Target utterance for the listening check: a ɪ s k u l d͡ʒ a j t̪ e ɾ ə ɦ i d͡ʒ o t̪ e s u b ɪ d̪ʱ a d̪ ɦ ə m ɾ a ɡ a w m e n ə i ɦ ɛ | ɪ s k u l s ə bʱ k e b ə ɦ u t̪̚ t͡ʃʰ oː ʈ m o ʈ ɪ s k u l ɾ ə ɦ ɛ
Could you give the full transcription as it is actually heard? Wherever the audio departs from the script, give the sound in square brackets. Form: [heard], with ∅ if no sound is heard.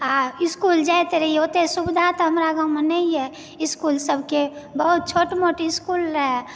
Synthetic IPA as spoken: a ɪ s k u l d͡ʒ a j t̪ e ɾ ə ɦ i [∅] o t̪ e s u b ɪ d̪ʱ a [t̪] ɦ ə m ɾ a ɡ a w m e n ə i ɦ ɛ | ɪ s k u l s ə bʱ k e b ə ɦ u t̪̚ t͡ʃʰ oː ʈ m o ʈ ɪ s k u l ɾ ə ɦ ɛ